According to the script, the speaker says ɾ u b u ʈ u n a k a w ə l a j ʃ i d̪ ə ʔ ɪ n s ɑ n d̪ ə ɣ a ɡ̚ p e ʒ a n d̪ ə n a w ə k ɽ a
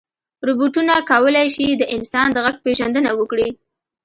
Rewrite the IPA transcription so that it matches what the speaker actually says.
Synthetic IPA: ɾ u b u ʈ u n a k a w ə l a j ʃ i d̪ ə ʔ ɪ n s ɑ n d̪ ə ɣ a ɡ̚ p e ʒ a n d̪ ə n a w ə k ɽ i